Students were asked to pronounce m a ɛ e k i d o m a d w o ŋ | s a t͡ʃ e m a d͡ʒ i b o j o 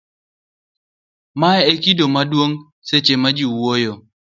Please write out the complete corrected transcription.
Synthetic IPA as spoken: m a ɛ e k i d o m a d w o ŋ | s e t͡ʃ e m a d͡ʒ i w o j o